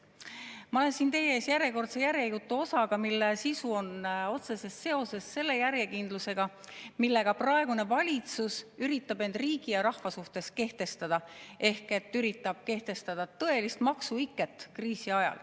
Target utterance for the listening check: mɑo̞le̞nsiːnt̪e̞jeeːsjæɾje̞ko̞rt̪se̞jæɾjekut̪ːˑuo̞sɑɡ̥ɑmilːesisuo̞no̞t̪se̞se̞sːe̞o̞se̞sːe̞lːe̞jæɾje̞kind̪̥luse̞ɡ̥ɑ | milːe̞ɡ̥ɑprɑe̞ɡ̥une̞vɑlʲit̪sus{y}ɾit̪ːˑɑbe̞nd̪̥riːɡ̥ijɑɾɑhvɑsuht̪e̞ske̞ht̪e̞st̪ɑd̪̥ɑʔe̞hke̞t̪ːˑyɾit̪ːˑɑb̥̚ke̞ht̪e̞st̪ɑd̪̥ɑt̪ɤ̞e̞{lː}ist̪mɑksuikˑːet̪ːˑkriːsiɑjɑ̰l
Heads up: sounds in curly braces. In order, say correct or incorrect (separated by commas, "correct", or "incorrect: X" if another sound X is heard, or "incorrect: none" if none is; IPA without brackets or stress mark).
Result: correct, incorrect: l